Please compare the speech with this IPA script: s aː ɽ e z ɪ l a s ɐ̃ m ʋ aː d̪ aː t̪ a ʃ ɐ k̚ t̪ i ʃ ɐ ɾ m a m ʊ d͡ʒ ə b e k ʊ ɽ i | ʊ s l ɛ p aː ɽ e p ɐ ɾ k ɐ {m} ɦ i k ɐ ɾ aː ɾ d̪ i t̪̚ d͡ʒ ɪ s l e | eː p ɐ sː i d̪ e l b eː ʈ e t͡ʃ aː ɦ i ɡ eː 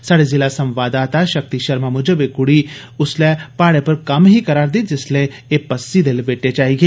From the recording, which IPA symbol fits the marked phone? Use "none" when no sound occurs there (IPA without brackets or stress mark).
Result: m